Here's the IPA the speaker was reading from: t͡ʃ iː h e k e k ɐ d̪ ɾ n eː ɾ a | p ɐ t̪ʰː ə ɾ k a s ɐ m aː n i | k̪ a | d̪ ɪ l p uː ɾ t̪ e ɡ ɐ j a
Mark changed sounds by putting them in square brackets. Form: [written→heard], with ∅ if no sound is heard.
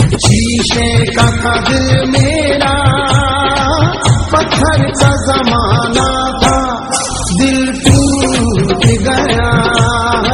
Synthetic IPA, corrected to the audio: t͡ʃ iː [h→ʃ] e k [e→a] k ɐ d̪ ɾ [n→m] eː ɾ a | p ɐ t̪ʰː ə ɾ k a [s→z] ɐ m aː n [i→a] | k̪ a | d̪ ɪ l p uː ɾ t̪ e ɡ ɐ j a

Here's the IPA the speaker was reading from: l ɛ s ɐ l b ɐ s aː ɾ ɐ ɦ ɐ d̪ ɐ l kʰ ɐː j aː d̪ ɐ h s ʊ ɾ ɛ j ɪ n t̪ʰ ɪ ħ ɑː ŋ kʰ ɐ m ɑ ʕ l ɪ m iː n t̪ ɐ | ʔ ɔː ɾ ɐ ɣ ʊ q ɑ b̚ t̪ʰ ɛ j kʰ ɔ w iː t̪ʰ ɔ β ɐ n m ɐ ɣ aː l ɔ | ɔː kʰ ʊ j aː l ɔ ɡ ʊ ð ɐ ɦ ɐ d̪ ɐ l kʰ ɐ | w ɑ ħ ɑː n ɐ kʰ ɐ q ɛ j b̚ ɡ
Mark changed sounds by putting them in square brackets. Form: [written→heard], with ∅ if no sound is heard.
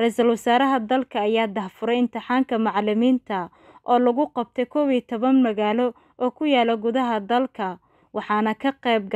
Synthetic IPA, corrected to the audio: [l→r] ɛ s ɐ l [b→w] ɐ s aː ɾ ɐ ɦ ɐ d̪ ɐ l kʰ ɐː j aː d̪ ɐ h [s→f] ʊ ɾ ɛ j ɪ n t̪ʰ ɪ ħ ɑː ŋ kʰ ɐ m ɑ ʕ l ɪ m iː n [t̪→t̪ʰ] ɐ | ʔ ɔː [ɾ→l] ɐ ɣ ʊ q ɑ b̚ t̪ʰ ɛ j kʰ ɔ w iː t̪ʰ ɔ β ɐ n m ɐ ɣ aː l ɔ | ɔː kʰ ʊ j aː l ɔ ɡ ʊ ð ɐ ɦ ɐ d̪ ɐ l kʰ ɐ | w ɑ ħ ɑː n ɐ kʰ ɐ q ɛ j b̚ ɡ

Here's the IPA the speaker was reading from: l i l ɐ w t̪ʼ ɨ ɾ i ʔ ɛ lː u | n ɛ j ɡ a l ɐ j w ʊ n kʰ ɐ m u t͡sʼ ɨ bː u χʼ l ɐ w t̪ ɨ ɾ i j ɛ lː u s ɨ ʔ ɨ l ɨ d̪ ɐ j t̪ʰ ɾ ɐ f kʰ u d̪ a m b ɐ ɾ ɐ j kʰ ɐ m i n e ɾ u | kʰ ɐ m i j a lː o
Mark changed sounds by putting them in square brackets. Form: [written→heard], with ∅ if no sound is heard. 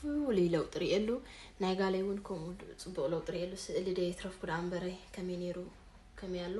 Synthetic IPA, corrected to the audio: l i l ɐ w t̪ʼ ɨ ɾ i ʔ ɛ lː u | n [ɛ→a] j ɡ a l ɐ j w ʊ n kʰ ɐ m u t͡sʼ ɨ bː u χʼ l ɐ w [t̪→t̪ʼ] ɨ ɾ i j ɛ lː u s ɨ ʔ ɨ l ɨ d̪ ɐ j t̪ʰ ɾ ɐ f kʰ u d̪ a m b ɐ ɾ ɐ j kʰ ɐ m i n e ɾ u | kʰ ɐ m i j a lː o

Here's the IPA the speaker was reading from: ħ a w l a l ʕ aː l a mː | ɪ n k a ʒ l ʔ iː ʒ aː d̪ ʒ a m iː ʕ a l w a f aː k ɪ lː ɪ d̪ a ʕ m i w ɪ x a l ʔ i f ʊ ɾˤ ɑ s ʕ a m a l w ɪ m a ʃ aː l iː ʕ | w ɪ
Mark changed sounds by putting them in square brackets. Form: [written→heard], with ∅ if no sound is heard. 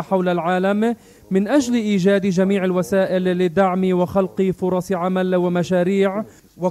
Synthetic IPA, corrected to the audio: ħ a w l a l ʕ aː l a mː | ɪ n [k→ʔ] a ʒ l ʔ iː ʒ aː d̪ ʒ a m iː ʕ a l w a [f→s] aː [k→ʔ] ɪ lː ɪ d̪ a ʕ m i w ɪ x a l [ʔ→q] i f ʊ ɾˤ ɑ s ʕ a m a l w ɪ m a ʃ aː [l→ɾ] iː ʕ | w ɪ

